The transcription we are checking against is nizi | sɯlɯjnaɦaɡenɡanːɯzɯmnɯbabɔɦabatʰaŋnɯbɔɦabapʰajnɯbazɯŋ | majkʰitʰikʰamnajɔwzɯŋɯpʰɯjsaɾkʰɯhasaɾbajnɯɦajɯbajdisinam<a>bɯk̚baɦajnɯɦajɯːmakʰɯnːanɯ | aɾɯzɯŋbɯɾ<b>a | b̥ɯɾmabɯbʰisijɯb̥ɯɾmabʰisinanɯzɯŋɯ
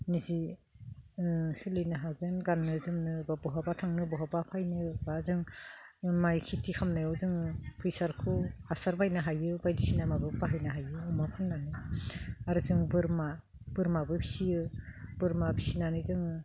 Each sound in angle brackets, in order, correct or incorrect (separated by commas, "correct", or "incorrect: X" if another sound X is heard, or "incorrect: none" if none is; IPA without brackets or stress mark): correct, incorrect: m